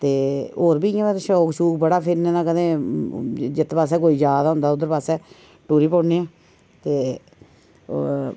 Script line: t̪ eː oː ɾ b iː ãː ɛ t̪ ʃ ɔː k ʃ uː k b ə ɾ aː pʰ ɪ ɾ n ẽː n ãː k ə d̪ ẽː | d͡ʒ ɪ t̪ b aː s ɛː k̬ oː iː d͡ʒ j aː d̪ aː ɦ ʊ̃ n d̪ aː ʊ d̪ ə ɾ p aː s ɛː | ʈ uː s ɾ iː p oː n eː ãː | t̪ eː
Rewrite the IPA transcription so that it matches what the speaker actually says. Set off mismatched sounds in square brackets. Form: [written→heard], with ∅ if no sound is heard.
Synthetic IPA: t̪ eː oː ɾ b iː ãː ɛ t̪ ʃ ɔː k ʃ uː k b ə [ɾ→ɽ] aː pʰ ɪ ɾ n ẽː n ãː k ə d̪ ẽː | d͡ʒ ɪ t̪ [b→p] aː s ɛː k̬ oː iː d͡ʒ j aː d̪ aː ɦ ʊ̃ n d̪ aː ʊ d̪ ə ɾ p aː s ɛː | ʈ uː [s→∅] ɾ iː p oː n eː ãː | t̪ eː